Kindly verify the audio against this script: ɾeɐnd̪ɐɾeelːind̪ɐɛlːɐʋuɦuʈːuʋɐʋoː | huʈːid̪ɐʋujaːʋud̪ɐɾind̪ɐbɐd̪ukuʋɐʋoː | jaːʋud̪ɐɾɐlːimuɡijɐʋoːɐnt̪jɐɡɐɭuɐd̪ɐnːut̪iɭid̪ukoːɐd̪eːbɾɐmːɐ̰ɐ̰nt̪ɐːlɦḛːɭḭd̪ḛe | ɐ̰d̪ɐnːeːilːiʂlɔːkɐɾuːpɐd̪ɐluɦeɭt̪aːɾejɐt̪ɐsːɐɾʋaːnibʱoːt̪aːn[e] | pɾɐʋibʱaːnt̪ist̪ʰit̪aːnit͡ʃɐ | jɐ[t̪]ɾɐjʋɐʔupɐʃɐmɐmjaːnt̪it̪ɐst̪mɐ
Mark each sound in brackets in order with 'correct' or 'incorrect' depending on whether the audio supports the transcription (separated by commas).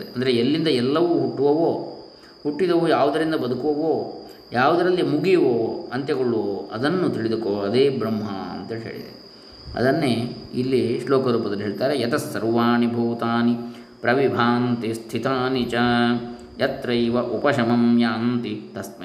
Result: incorrect, correct